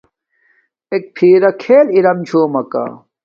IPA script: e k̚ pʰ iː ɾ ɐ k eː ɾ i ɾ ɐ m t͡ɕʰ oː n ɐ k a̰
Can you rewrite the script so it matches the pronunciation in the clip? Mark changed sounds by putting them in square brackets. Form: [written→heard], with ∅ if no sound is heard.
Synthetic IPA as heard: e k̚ pʰ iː ɾ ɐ [k→kʰ] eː [ɾ→l] i ɾ ɐ m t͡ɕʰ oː [n→m] ɐ k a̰